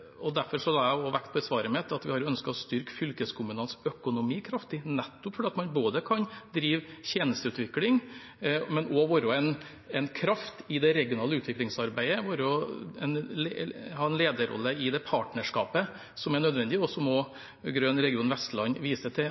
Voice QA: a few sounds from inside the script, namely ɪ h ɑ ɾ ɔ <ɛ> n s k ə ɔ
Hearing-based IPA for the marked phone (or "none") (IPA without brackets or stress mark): œ